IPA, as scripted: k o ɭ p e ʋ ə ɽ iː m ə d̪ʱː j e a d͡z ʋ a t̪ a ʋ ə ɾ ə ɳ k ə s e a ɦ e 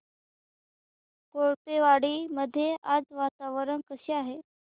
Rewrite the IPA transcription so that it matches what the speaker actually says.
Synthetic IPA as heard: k o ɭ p e ʋ a ɽ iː m ə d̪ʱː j e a d͡z ʋ a t̪ a ʋ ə ɾ ə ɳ k ə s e a ɦ e